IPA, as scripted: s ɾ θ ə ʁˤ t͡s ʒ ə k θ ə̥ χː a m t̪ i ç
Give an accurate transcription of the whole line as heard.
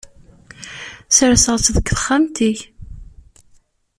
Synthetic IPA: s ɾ s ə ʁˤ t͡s ð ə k θ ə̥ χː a m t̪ i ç